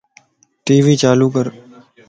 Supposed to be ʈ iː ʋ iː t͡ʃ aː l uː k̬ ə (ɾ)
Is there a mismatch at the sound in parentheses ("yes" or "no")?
no